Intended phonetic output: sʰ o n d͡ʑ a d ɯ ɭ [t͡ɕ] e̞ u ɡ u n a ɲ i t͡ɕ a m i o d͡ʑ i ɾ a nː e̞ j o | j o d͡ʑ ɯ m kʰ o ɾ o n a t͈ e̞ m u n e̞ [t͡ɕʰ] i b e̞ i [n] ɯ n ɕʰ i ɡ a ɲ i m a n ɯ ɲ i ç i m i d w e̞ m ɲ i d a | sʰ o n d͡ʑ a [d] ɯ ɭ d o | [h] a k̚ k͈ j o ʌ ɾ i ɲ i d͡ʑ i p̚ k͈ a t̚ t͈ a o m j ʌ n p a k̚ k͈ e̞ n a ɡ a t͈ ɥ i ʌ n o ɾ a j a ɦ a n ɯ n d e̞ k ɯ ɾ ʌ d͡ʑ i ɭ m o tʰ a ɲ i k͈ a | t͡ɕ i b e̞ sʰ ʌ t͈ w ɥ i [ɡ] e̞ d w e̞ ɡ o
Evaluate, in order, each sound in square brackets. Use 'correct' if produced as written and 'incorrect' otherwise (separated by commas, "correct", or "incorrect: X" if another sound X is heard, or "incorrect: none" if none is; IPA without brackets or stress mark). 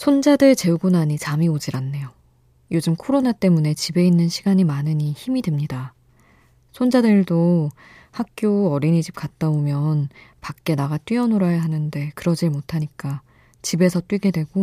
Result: correct, incorrect: t͡ɕ, incorrect: nː, correct, correct, correct